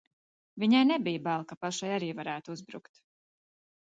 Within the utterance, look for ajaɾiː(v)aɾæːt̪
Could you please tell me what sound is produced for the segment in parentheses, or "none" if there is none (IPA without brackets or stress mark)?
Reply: v